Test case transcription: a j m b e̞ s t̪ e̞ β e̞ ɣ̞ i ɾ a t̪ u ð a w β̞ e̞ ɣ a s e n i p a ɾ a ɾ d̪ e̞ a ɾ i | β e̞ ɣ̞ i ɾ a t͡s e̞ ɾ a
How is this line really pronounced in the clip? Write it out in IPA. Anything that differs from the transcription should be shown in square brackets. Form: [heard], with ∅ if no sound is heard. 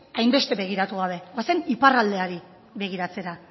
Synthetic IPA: a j m b e̞ s t̪ e̞ β e̞ ɣ̞ i ɾ a t̪ u [ɣ] a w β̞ e̞ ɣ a s e n i p a [r] a [l] d̪ e̞ a ɾ i | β e̞ ɣ̞ i ɾ a t͡s e̞ ɾ a